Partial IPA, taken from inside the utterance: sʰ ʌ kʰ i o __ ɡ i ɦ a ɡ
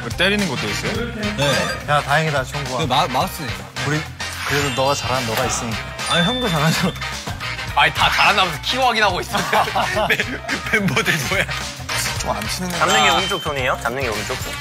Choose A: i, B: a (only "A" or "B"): B